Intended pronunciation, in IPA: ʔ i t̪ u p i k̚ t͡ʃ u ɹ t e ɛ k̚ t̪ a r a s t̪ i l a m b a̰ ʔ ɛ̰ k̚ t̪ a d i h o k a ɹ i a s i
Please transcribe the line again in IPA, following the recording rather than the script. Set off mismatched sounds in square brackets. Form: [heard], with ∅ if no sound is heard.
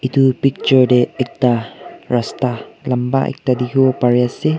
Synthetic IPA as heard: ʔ i t̪ u p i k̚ t͡ʃ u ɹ [d] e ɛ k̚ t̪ a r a s t̪ [a] l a m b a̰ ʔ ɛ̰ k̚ t̪ a d i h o [p] a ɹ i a s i

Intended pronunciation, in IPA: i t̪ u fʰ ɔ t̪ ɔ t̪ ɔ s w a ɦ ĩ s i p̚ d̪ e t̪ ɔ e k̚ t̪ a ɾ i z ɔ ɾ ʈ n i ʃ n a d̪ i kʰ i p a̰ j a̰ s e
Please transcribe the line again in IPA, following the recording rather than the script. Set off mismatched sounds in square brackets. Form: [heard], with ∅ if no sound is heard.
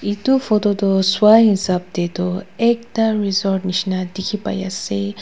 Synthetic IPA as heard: i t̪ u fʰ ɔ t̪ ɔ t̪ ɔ s w a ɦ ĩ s [a] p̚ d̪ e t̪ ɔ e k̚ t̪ a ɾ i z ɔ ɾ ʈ n i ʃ n a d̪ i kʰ i p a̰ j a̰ s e

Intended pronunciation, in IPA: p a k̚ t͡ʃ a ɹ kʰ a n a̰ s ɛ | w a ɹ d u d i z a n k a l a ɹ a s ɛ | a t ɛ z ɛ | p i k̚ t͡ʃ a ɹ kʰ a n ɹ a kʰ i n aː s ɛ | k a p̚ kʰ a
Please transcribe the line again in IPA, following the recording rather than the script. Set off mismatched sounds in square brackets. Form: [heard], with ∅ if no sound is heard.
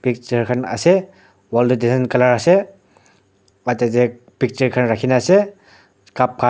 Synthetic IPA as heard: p [i] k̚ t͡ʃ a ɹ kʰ a n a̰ s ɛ | w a [l] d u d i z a n k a l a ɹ a s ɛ | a t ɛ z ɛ | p i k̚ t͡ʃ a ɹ kʰ a n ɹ a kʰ i n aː s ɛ | k a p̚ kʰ a

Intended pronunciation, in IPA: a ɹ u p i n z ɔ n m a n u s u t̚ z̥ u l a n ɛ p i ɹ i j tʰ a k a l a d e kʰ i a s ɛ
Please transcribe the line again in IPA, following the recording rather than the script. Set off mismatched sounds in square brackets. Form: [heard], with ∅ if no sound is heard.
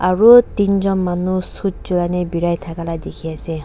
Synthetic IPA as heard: a ɹ u [t] i n z ɔ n m a n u s u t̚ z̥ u l a n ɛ [b] i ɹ [a] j tʰ a k a l a d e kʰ i a s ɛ

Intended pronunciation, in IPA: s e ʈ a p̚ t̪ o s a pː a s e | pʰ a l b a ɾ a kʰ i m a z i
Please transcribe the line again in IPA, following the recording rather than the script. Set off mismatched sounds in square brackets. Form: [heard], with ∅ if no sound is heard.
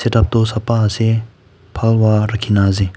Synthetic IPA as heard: s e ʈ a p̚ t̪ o s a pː a s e | pʰ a l [w] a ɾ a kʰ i [n] a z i

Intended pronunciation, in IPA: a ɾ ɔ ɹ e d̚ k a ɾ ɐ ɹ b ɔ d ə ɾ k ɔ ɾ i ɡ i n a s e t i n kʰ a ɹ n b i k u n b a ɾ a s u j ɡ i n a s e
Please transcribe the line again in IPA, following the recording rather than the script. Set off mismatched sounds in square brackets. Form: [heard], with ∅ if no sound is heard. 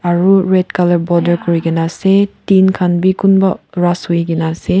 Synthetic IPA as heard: a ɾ [u] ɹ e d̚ k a [l] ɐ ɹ b ɔ d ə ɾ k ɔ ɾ i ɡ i n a s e t i n kʰ a [∅] n b i k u n b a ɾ a s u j ɡ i n a s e

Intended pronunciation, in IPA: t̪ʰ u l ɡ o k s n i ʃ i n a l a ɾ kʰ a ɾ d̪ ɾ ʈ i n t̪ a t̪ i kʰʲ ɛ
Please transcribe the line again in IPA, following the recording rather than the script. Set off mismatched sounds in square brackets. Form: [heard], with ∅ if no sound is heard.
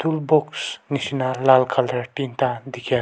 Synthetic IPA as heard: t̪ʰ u l [b] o k s n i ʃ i n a l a [l] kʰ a [l] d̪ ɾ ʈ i n t̪ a [d̪] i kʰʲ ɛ

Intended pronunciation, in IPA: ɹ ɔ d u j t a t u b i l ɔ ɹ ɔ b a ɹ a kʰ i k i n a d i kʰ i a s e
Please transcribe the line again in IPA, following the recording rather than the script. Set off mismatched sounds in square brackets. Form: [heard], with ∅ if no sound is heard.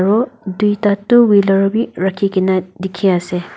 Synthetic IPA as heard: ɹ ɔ d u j t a t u [w] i l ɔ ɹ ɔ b [i] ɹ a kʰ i k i n a d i kʰ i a s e

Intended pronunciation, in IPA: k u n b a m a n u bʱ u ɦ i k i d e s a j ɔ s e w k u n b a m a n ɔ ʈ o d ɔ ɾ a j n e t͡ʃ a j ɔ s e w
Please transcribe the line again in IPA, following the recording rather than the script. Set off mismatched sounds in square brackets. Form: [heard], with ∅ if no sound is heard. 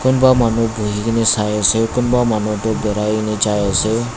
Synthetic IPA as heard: k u n b a m a n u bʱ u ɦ i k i [n] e s a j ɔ s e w k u n b a m a n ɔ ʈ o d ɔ ɾ a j n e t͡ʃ a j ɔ s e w

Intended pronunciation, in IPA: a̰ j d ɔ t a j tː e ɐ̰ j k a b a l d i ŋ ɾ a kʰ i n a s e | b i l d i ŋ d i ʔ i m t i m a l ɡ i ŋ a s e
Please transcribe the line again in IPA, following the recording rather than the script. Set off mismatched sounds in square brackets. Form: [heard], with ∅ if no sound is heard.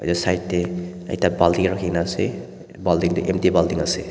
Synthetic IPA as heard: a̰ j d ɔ [s] a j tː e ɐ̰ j [t] a b a l d i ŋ ɾ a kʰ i n a s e | b [a] l d i ŋ d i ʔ [e] m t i [b] a l [d] i ŋ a s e

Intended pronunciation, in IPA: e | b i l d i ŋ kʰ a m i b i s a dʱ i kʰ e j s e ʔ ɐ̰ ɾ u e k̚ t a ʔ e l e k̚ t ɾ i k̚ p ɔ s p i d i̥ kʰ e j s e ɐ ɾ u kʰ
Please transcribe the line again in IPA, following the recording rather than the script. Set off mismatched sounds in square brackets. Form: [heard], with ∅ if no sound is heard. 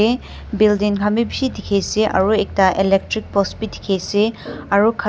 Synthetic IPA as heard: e | b i l d i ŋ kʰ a m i b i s [i] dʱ i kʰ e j s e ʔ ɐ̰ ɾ u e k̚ t a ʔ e l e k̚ t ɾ i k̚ p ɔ s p i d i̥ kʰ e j s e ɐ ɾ u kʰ

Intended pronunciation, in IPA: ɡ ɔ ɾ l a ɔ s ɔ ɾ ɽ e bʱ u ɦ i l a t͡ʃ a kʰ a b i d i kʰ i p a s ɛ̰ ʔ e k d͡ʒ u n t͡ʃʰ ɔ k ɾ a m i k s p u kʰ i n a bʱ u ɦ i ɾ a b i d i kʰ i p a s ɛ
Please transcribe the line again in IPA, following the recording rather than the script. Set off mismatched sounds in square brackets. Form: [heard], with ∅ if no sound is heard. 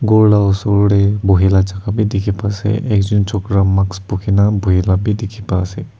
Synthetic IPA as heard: ɡ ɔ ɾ l a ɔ s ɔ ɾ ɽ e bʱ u ɦ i l a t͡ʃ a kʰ a b i d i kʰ i p a s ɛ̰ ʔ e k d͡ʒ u n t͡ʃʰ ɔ k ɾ a m [a] k s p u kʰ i n a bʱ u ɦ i [l] a b i d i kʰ i p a s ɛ

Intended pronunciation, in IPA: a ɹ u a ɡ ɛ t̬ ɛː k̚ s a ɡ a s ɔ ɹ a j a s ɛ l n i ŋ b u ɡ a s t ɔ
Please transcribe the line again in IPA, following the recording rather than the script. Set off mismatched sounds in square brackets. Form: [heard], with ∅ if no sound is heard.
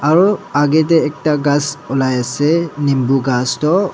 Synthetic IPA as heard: a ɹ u a ɡ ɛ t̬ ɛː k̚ [t] a ɡ a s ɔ [l] a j a s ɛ [∅] n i [m] b u ɡ a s t ɔ

